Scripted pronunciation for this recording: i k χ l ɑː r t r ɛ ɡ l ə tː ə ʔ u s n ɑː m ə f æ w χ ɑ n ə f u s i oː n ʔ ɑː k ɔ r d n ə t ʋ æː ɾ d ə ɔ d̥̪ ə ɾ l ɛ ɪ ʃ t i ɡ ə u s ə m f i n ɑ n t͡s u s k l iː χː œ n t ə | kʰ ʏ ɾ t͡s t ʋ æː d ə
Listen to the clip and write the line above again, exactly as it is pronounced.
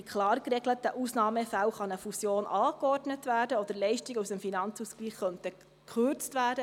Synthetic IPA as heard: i k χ l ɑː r k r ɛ ɡ l ə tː ə ʔ u s n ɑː m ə f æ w χ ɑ n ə f u s j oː n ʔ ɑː k ɔ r d n ə t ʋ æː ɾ d ə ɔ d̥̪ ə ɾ l ɛ ɪ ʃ t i ɡ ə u s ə m f i n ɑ n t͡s u s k l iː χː œ n t ə | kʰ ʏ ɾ t͡s t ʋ æː d ə